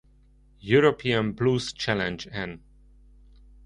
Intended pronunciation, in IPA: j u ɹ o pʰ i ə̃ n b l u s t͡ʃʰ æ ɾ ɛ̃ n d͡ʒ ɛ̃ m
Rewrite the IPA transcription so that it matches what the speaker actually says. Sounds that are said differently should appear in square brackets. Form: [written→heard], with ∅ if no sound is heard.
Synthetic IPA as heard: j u ɹ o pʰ i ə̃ n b l u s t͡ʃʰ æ [ɾ→l] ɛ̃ n d͡ʒ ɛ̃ [m→n]